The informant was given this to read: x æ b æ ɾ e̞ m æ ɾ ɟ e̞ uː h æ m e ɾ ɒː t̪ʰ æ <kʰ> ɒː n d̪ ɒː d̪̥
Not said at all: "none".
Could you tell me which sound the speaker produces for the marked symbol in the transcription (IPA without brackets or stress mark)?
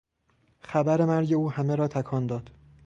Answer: kʰ